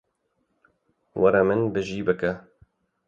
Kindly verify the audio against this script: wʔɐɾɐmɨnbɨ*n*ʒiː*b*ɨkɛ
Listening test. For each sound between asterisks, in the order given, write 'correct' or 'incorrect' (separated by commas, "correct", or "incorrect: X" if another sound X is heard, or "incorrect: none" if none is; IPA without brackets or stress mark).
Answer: incorrect: none, correct